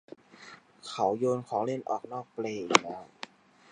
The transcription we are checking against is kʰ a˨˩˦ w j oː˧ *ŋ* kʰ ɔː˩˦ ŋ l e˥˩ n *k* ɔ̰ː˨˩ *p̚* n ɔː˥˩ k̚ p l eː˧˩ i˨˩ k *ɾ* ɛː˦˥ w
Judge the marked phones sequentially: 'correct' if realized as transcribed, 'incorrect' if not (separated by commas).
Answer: incorrect, incorrect, incorrect, incorrect